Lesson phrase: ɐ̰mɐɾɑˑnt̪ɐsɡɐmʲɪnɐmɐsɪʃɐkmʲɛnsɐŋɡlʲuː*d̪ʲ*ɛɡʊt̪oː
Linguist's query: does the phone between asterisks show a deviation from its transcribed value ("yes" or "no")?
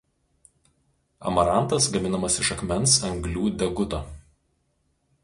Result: no